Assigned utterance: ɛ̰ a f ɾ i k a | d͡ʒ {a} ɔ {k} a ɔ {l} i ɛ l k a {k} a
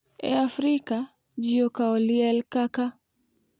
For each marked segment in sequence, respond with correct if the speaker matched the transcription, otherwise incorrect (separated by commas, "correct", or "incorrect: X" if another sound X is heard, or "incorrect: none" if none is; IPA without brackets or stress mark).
incorrect: i, correct, correct, correct